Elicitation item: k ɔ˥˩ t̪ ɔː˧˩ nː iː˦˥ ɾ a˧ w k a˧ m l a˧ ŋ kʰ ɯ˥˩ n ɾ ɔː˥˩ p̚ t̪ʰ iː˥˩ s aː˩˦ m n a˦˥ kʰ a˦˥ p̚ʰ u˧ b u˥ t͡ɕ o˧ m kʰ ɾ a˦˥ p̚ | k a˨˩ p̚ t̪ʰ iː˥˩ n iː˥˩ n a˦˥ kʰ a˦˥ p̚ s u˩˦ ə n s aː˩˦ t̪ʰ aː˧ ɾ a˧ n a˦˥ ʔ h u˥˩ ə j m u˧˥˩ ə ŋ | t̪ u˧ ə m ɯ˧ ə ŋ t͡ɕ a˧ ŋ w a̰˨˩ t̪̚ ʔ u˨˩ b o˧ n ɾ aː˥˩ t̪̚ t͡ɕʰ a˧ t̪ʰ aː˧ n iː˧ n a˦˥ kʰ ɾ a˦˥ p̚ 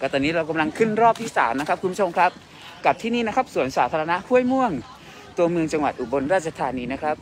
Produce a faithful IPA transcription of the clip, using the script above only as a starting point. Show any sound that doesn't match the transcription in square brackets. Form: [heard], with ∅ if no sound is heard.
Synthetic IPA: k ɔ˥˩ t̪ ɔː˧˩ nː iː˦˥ ɾ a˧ w k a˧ m l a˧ ŋ kʰ ɯ˥˩ n ɾ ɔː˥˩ p̚ t̪ʰ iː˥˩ s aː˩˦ m n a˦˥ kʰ a˦˥ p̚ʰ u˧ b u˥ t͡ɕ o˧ m kʰ ɾ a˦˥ p̚ | k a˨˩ p̚ t̪ʰ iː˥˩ n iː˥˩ n a˦˥ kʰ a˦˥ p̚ s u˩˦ ə n s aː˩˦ t̪ʰ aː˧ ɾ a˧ n a˦˥ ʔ h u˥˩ ə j m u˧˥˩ ə ŋ | t̪ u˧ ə m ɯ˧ ə ŋ t͡ɕ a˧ ŋ w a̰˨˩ t̪̚ ʔ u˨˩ b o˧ n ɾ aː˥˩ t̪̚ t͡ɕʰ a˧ t̪ʰ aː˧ n iː˧ n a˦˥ kʰ ɾ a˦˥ p̚